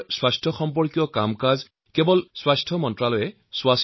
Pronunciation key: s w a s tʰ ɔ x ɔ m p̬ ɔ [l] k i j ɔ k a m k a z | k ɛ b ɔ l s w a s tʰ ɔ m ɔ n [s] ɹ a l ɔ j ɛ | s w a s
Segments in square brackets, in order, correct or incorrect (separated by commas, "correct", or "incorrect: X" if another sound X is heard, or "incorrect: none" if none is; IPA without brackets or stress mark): incorrect: ɹ, incorrect: t